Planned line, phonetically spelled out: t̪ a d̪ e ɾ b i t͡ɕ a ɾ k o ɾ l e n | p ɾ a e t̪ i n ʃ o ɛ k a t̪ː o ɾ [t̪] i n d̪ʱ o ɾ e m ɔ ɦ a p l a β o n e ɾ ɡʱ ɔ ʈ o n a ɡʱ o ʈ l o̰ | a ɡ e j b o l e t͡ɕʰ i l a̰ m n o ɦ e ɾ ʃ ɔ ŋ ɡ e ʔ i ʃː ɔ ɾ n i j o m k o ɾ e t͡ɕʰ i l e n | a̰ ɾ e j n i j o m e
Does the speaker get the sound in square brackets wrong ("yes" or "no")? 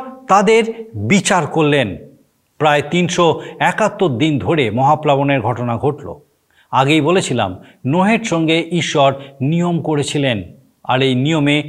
yes